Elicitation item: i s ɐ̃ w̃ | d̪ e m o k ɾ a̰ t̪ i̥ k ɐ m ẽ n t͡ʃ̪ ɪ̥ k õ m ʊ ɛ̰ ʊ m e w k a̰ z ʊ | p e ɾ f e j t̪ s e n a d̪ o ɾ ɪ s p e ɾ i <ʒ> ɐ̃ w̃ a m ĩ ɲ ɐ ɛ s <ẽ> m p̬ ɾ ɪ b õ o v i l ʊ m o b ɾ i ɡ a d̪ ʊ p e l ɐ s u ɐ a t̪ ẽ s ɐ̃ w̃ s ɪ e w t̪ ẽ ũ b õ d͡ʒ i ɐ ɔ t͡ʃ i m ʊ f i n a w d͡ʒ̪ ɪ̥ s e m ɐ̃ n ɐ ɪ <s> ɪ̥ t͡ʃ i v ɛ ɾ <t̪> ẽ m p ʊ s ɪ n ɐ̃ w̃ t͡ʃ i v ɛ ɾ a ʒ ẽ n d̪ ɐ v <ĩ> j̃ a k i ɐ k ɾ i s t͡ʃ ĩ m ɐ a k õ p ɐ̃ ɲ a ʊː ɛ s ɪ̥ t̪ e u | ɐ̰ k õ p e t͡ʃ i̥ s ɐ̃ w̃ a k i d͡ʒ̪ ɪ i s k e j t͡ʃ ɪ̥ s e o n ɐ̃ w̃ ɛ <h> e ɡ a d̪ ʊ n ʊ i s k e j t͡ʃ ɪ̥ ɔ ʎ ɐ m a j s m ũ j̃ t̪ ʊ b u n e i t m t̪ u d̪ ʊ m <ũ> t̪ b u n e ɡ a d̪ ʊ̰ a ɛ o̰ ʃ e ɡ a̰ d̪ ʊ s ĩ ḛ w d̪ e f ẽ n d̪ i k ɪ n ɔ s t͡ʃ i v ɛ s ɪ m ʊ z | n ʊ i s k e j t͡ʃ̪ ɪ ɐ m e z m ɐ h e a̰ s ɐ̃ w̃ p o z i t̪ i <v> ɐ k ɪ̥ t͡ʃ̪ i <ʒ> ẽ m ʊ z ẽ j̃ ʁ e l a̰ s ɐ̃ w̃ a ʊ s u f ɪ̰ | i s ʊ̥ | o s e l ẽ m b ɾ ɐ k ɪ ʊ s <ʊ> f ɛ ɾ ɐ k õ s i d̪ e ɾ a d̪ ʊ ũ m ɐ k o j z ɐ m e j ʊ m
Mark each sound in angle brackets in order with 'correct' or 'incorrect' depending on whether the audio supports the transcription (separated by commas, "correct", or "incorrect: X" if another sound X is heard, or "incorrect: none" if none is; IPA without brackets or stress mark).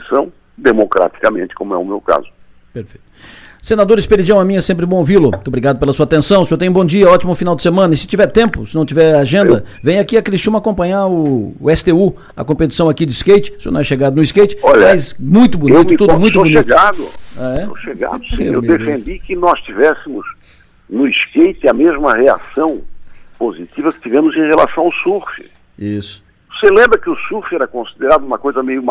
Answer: incorrect: d͡ʒ, correct, correct, correct, incorrect: ẽ, incorrect: ʃ, correct, correct, incorrect: v, incorrect: u